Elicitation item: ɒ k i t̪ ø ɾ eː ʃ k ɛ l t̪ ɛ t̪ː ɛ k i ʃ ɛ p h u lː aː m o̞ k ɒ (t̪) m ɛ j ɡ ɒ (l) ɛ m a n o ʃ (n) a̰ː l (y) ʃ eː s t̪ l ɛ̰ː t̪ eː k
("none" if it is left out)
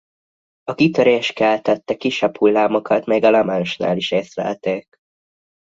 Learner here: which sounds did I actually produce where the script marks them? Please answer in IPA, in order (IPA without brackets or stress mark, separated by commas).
t̪, l, n, i